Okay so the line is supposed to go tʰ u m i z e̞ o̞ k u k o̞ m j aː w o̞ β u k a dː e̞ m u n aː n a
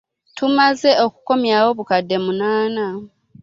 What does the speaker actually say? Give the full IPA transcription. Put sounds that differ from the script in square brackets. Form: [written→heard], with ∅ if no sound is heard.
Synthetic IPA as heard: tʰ u m [i→a] z e̞ o̞ k u k o̞ m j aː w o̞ β u k a dː e̞ m u n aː n a